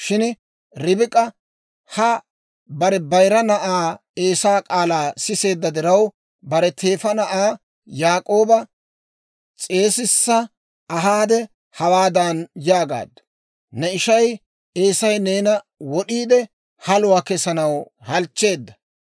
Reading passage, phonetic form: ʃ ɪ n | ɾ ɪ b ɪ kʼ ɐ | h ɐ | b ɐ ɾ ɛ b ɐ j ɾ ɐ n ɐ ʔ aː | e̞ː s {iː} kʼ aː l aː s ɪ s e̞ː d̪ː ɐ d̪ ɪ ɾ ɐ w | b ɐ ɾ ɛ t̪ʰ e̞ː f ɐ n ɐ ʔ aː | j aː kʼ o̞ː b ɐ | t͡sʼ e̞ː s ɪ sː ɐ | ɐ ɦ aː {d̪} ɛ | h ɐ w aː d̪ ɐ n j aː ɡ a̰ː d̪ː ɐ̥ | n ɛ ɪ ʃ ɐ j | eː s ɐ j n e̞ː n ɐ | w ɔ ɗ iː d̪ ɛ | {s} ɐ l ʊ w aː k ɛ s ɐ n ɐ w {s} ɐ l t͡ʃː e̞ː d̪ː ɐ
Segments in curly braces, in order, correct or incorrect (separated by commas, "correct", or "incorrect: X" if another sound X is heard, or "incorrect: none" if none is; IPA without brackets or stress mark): incorrect: aː, correct, incorrect: h, incorrect: h